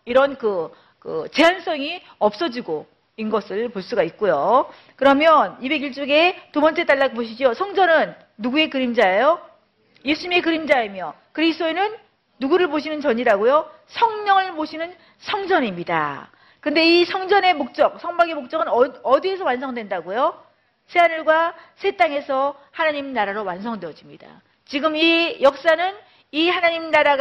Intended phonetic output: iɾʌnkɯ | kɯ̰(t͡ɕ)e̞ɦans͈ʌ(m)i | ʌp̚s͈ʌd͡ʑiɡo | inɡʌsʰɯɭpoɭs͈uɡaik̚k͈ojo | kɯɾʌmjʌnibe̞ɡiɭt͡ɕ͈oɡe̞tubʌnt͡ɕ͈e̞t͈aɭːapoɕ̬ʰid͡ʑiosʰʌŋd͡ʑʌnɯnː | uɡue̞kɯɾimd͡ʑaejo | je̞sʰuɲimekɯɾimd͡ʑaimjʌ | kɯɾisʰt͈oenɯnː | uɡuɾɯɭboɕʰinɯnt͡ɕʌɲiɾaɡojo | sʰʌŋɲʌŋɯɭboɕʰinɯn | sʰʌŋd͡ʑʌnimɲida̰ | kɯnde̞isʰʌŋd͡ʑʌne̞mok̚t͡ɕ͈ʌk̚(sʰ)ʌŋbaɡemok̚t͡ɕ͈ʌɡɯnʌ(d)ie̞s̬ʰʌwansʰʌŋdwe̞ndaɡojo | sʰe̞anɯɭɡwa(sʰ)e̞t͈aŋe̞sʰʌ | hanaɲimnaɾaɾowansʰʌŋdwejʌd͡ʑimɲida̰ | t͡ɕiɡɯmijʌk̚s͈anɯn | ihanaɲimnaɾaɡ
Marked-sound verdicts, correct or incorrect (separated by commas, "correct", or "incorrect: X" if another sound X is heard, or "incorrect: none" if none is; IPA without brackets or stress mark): correct, incorrect: ŋ, correct, correct, correct